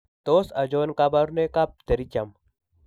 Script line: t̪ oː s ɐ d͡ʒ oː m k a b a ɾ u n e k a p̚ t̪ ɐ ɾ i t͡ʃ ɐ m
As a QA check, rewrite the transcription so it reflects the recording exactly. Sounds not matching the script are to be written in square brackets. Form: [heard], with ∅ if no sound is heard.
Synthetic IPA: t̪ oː s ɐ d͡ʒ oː [n] k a b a ɾ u n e k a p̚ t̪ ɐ ɾ i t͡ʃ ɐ m